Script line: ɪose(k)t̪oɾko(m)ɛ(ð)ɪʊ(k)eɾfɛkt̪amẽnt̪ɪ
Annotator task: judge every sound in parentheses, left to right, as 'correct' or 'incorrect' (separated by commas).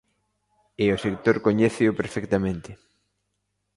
correct, incorrect, incorrect, incorrect